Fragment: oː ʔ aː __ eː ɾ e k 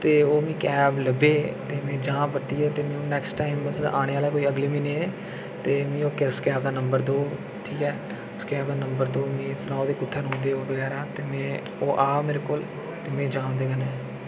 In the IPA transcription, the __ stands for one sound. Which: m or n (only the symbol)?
m